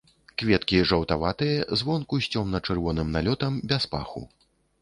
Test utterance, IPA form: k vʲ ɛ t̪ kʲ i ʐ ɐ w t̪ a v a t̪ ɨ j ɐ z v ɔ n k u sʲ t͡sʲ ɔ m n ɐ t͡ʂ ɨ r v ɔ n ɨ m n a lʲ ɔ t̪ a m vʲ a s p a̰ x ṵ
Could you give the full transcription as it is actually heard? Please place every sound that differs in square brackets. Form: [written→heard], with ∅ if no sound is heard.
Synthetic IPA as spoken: k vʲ ɛ t̪ kʲ i ʐ ɐ w t̪ a v a t̪ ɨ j ɐ z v ɔ n k u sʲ t͡sʲ ɔ m n ɐ t͡ʂ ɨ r v ɔ n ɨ m n a lʲ ɔ t̪ [a→ɐ] m [vʲ→bʲ] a s p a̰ x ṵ